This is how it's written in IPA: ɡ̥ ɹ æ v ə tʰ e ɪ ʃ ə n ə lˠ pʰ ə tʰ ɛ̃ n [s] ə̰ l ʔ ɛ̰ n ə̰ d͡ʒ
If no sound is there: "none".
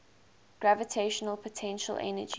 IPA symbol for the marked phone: ʃ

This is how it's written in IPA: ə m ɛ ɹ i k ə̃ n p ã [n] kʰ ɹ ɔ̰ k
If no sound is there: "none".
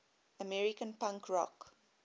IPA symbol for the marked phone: ŋ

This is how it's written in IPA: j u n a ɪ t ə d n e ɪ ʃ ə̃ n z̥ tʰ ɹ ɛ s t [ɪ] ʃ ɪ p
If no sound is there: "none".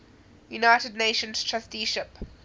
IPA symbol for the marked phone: i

